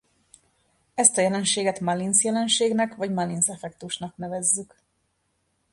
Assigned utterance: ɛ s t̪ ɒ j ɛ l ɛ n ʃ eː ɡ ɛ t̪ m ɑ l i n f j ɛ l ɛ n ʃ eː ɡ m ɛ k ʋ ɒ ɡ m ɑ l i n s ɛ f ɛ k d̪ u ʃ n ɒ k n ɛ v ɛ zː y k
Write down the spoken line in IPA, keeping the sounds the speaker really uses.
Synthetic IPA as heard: ɛ s t̪ ɒ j ɛ l ɛ n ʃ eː ɡ ɛ t̪ m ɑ l i n s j ɛ l ɛ n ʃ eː ɡ n ɛ k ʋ ɒ ɟ m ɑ l i n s ɛ f ɛ k t̪ u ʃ n ɒ k n ɛ v ɛ zː y k